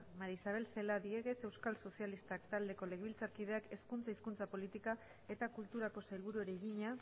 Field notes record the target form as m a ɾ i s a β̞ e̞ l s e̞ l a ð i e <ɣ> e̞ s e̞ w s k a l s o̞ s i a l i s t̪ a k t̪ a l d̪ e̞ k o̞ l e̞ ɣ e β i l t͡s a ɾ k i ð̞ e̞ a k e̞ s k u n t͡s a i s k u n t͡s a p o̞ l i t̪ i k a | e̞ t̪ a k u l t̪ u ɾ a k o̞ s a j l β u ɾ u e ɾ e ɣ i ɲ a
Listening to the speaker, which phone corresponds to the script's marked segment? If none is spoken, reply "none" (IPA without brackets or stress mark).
ɣ